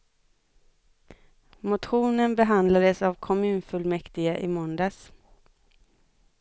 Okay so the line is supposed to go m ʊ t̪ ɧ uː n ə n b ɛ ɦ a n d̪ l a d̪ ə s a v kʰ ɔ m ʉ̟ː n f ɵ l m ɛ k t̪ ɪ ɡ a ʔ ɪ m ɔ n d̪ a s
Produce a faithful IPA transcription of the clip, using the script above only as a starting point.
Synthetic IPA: m ʊ t̪ ɧ uː n ə n b ɛ ɦ a n d̪ l a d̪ ə s a v kʰ ɔ m ʉ̟ː n f ɵ l m ɛ k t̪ ɪ ɡ a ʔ ɪ m ɔ n d̪ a s